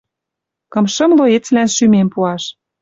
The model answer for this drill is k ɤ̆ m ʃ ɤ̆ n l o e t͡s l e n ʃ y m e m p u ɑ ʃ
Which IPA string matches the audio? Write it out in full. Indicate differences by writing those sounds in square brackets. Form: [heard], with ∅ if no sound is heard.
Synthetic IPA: k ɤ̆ m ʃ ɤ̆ [m] l o e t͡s l [æ] n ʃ y m e m p u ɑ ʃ